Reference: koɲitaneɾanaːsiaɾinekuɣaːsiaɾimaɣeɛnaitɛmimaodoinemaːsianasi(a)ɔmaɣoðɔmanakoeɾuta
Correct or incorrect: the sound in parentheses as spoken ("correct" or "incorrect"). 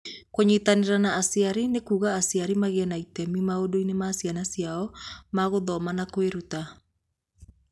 correct